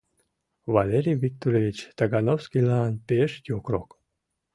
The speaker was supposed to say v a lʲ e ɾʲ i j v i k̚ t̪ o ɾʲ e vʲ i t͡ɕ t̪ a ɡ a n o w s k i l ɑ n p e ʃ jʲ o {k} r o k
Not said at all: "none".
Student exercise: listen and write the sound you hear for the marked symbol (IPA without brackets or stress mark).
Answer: k